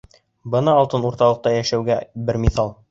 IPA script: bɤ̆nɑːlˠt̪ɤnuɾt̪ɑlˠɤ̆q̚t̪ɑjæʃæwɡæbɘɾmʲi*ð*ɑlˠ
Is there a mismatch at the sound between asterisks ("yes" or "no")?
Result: yes